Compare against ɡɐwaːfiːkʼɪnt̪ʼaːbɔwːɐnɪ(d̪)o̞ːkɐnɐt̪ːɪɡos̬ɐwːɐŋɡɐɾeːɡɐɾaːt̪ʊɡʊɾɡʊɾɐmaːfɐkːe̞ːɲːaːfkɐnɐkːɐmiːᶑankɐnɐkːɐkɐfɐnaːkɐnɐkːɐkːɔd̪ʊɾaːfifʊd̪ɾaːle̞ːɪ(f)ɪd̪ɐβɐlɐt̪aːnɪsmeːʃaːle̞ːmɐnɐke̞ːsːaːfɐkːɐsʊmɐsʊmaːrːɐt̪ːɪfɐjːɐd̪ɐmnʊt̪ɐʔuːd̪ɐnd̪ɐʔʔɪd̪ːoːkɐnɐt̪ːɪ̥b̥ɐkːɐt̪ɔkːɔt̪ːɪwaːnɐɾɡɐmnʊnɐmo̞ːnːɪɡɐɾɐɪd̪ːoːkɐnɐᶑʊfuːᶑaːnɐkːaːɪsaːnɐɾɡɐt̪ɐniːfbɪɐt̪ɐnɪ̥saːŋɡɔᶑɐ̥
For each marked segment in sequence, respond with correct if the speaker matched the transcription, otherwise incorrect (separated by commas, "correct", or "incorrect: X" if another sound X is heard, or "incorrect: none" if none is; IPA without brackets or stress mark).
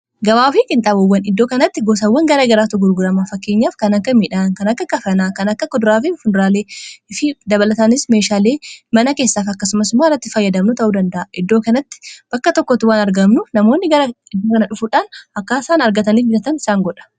incorrect: d̪ː, correct